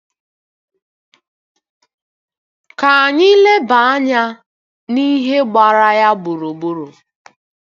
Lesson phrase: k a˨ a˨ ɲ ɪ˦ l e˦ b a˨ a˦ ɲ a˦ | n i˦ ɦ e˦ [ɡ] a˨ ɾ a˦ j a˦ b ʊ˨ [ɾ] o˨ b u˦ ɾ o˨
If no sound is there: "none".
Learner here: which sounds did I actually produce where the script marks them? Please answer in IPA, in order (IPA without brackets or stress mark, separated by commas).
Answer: ɡ͡b, ɾ